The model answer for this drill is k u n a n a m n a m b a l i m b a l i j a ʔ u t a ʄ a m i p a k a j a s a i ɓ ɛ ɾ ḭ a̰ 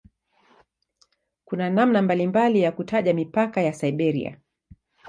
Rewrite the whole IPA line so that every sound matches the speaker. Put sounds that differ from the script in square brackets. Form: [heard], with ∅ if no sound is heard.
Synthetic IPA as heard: k u n a n a m n a m b a l i m b a l i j a [k] u t a ʄ a m i p a k a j a s a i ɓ ɛ ɾ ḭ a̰